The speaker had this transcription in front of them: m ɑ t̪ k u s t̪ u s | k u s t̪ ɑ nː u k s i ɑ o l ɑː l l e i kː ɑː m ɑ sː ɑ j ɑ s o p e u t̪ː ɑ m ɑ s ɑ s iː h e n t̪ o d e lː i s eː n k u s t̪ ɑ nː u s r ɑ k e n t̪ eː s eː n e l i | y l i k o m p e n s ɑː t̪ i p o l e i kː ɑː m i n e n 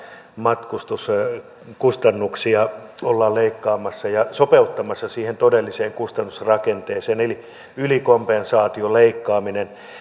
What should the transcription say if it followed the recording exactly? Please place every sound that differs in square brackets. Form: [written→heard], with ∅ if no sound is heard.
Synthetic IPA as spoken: m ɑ t̪ k u s t̪ u s | k u s t̪ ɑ nː u k s i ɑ o [l→lː] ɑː l l e i kː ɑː m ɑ sː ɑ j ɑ s o p e u t̪ː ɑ m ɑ [s→sː] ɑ s iː h e n t̪ o d e lː i s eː [n→ŋ] k u s t̪ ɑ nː u s r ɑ k e n t̪ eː s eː n e l i | y l i k o m p e n s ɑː t̪ i [p→∅] o l e i kː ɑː m i n e n